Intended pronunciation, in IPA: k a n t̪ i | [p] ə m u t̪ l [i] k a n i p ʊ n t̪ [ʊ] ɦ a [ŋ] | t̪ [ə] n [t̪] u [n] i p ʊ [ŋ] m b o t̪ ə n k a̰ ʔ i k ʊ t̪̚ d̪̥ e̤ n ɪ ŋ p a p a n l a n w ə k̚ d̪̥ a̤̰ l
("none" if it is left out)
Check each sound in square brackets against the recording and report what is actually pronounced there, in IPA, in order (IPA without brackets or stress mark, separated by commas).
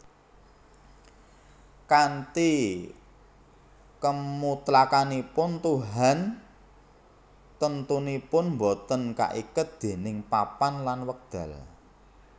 k, a, u, n, ə, t̪, n, n